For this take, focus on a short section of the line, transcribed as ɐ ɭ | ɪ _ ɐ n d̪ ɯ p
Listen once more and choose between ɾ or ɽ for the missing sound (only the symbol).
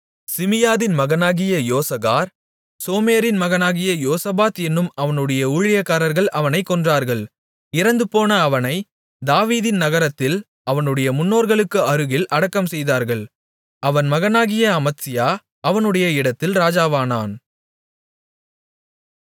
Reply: ɾ